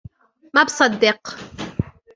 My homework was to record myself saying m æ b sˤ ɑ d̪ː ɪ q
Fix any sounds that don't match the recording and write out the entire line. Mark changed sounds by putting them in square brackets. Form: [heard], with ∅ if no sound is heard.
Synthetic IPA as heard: m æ b sˤ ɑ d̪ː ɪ q